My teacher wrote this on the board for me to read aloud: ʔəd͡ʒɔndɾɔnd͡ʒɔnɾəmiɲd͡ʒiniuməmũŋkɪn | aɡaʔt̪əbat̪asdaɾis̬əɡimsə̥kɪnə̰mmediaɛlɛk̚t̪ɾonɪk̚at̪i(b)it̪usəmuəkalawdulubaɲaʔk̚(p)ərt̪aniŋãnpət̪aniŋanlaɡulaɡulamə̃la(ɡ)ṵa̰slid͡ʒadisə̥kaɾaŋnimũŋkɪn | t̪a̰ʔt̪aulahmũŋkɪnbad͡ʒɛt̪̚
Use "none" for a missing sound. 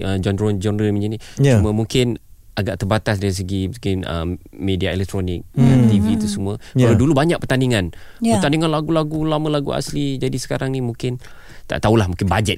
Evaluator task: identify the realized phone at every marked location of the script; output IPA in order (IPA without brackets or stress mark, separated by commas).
v, p, ɡ